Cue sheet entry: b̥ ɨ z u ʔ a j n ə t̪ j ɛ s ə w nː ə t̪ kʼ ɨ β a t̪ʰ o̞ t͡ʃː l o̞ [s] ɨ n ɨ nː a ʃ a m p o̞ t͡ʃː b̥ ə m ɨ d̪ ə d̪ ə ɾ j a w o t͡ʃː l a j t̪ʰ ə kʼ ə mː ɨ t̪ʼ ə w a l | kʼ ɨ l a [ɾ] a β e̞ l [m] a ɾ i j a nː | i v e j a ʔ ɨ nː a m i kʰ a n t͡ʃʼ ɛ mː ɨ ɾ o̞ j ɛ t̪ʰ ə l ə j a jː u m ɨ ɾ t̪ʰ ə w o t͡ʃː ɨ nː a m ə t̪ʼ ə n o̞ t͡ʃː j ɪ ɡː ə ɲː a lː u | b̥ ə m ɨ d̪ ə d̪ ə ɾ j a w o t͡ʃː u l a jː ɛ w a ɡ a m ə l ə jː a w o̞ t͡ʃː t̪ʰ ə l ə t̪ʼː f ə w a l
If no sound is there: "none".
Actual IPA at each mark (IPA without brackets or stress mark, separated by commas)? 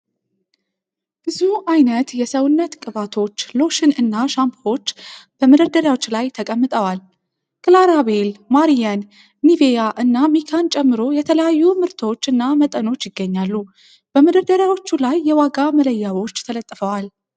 ʃ, ɾ, m